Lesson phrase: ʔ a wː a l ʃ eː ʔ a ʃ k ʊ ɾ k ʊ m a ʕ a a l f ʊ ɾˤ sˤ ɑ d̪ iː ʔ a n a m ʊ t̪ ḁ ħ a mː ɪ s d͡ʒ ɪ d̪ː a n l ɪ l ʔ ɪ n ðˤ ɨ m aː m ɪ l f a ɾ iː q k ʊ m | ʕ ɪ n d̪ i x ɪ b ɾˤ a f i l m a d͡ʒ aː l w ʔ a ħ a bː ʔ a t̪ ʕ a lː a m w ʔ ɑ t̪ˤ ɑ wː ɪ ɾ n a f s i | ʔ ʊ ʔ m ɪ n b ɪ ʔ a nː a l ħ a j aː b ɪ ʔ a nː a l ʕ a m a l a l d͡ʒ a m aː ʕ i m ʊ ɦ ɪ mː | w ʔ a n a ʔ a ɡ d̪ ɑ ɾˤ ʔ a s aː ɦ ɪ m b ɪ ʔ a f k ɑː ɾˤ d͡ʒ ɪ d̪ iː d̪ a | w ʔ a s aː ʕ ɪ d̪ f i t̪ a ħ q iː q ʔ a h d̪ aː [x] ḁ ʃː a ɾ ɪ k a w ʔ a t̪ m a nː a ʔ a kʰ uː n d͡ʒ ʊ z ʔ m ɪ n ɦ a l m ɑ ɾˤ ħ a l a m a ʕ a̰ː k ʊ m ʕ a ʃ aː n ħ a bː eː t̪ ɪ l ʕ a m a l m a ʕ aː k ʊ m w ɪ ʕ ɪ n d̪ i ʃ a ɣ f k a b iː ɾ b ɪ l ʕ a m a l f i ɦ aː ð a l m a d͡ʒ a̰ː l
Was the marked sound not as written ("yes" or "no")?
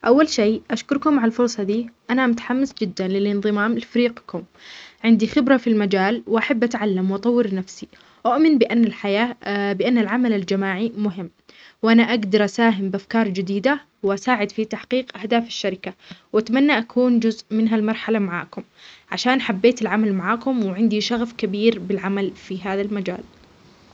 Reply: yes